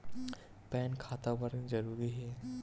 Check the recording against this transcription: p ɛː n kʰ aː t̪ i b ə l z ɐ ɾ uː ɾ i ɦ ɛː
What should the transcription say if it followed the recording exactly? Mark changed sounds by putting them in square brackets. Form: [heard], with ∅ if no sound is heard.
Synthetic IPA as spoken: p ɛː n kʰ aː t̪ [a] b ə [ɾ] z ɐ ɾ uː ɾ i ɦ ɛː